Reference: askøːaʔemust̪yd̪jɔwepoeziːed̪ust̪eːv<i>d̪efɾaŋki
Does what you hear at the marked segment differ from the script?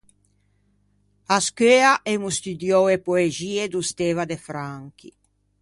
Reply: yes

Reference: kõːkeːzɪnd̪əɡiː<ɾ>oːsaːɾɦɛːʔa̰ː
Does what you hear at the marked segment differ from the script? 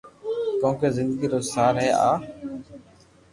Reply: no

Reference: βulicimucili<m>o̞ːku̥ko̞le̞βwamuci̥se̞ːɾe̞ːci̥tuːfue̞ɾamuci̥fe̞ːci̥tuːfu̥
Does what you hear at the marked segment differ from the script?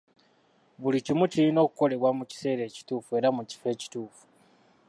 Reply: yes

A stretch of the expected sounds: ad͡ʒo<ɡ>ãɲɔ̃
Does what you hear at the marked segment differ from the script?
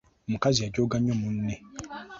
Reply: no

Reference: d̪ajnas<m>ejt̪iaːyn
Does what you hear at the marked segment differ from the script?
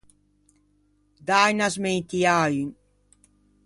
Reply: no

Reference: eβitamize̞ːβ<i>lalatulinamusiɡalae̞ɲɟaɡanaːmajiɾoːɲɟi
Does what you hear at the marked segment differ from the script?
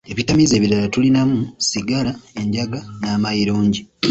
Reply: no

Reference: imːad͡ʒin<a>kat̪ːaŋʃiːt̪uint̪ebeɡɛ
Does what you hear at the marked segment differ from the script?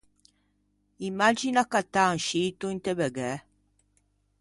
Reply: no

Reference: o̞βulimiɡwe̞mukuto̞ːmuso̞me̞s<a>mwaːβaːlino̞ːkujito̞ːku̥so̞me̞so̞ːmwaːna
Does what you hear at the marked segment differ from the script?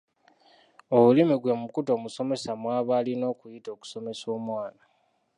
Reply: no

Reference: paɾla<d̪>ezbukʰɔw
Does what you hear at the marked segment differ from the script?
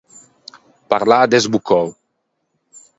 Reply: no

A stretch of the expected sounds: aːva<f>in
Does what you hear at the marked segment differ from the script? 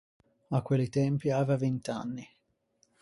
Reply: yes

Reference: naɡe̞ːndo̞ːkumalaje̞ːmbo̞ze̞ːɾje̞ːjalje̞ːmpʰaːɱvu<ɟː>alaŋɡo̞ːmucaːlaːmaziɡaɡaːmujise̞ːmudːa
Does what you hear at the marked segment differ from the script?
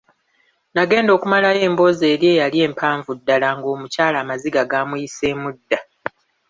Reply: yes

